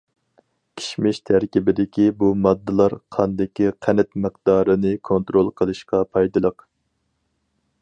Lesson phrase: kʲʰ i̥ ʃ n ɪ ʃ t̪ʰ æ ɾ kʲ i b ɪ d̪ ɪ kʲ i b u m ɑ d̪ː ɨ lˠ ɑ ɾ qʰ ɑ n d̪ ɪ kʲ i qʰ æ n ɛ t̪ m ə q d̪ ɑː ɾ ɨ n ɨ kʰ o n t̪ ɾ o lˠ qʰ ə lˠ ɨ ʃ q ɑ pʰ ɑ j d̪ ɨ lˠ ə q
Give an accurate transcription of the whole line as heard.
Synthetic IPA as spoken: kʲʰ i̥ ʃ m ɪ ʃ t̪ʰ æ ɾ kʲ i b ɪ d̪ ɪ kʲ i b u m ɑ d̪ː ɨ lˠ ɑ ɾ qʰ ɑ n d̪ ɪ kʲ i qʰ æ n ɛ t̪ m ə q d̪ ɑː ɾ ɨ n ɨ kʰ o n t̪ ɾ o lˠ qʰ ə lˠ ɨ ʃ q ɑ pʰ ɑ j d̪ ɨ lˠ ə q